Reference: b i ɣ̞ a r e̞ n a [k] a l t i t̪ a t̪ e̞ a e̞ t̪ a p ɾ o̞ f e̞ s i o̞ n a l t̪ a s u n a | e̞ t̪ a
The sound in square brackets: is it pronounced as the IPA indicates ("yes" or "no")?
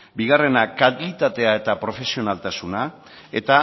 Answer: yes